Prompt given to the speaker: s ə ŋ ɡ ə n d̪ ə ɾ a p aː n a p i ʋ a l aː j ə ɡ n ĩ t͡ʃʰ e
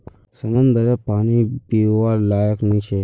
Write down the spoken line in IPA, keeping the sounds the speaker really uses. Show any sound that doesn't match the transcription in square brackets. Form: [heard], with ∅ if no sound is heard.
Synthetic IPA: s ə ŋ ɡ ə n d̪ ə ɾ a p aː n [i] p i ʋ a l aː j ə [k] n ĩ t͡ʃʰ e